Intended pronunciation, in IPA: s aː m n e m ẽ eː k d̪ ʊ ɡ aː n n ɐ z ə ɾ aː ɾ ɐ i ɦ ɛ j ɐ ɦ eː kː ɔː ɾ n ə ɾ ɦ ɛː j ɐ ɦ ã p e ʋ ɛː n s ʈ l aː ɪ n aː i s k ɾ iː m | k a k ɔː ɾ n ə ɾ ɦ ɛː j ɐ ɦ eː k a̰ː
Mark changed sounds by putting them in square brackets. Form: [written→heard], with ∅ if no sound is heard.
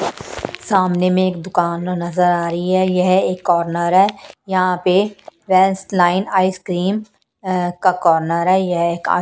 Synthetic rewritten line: s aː m n e m ẽ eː k d̪ ʊ [ɡ→k] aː n n ɐ z ə ɾ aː ɾ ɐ i ɦ ɛ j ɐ ɦ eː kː ɔː ɾ n ə ɾ ɦ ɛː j ɐ ɦ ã p e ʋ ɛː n s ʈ l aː ɪ n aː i s k ɾ iː m | k a k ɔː ɾ n ə ɾ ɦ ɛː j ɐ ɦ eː k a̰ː